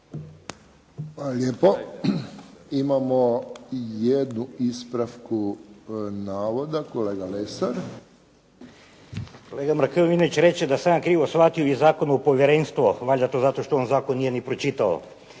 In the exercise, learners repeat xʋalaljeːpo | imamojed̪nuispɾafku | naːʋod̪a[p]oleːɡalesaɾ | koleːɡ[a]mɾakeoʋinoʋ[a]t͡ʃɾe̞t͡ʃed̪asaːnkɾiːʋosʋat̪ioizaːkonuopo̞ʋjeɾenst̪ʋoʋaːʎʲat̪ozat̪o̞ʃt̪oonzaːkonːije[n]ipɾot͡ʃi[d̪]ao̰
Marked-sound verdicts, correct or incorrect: incorrect: k, correct, incorrect: i, correct, incorrect: t̪

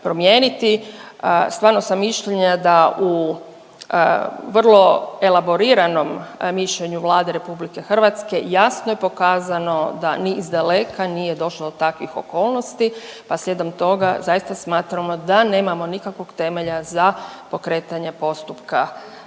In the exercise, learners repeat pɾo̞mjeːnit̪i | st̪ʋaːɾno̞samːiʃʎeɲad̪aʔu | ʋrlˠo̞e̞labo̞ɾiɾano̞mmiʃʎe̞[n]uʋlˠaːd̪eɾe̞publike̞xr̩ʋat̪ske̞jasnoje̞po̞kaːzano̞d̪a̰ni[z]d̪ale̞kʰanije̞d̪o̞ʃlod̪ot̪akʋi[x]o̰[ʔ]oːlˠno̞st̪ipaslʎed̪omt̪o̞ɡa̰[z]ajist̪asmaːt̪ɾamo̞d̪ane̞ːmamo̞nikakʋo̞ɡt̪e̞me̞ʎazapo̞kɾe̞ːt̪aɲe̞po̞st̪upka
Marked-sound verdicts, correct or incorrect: incorrect: ɲ, correct, correct, incorrect: k, correct

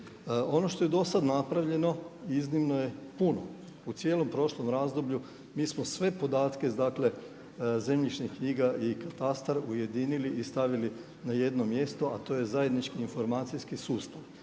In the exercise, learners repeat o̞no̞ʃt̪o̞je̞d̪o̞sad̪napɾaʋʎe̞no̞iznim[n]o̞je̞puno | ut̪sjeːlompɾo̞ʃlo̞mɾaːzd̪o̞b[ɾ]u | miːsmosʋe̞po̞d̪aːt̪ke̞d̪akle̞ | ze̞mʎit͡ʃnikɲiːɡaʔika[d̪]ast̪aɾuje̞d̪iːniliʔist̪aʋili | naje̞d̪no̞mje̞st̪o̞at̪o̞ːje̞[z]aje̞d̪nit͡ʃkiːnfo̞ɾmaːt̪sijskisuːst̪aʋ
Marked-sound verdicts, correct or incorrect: correct, incorrect: ʎ, incorrect: t̪, correct

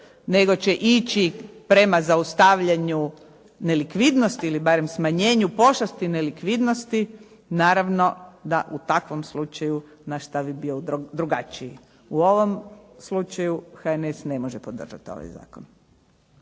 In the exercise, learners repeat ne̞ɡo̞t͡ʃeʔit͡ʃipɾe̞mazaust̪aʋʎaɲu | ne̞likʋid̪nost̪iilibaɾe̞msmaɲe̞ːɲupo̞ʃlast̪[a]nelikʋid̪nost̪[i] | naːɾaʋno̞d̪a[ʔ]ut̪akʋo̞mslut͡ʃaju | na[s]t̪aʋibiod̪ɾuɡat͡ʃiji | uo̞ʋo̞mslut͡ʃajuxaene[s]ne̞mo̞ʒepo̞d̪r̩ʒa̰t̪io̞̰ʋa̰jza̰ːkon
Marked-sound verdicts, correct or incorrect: incorrect: i, correct, correct, incorrect: ʃ, correct

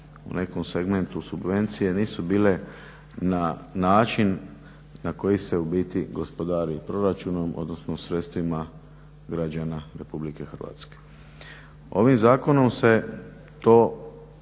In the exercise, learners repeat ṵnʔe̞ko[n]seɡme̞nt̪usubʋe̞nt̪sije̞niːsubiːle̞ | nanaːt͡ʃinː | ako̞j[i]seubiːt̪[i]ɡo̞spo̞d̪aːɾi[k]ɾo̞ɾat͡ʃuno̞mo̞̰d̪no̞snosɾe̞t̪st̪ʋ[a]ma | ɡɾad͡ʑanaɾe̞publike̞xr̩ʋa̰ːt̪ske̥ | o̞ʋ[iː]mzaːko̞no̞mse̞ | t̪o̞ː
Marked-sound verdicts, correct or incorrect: incorrect: m, correct, correct, incorrect: p, incorrect: i, incorrect: i

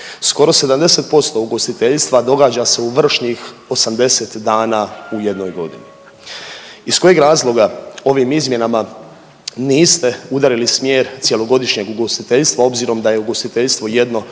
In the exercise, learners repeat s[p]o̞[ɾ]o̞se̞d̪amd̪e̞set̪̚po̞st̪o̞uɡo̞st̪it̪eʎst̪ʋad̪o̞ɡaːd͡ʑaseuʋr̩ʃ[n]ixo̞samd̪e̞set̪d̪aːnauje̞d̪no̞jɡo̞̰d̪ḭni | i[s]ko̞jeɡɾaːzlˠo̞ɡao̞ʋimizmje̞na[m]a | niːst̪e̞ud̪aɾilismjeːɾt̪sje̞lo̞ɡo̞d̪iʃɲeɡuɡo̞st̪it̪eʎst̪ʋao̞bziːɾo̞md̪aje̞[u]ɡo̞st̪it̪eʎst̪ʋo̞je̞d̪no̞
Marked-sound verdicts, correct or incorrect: incorrect: k, correct, incorrect: ɲ, correct, correct, correct

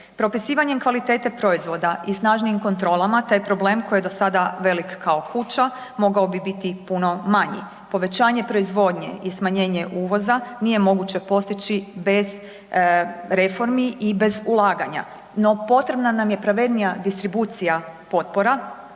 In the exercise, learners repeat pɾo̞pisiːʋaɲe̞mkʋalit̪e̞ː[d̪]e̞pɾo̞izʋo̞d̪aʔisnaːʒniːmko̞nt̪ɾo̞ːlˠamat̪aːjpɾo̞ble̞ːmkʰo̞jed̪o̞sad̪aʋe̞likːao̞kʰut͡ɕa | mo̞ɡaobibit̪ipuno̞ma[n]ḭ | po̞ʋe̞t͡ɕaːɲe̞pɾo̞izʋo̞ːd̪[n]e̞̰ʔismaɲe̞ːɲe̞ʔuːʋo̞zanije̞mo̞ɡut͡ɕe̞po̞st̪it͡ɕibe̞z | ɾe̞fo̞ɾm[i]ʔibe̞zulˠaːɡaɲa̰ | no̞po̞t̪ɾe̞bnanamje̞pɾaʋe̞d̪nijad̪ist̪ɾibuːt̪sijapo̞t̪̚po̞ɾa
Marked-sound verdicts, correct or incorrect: incorrect: t̪, incorrect: ɲ, incorrect: ɲ, correct

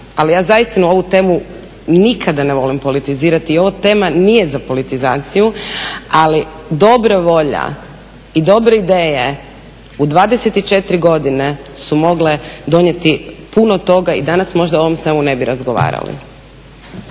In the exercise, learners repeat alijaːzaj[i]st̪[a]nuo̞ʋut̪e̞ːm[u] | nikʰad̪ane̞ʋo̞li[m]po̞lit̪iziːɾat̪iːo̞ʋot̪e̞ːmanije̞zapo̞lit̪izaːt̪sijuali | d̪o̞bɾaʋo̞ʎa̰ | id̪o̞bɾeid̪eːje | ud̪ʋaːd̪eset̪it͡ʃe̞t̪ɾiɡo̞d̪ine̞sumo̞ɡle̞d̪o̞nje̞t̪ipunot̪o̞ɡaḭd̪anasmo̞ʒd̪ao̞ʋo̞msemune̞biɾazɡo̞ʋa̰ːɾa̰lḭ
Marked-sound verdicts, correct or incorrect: correct, incorrect: i, correct, correct

